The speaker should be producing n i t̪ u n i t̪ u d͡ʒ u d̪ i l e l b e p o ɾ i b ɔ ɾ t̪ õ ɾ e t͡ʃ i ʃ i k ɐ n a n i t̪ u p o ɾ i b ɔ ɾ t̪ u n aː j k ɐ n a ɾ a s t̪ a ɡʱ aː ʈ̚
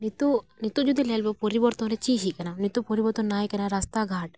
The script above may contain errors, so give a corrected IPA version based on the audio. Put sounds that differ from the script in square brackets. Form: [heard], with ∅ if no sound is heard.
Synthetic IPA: n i t̪ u n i t̪ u d͡ʒ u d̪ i l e l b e p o ɾ i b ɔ ɾ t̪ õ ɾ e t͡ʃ i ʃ i k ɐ n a n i t̪ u p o ɾ i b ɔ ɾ t̪ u n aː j k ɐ n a ɾ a s t̪ a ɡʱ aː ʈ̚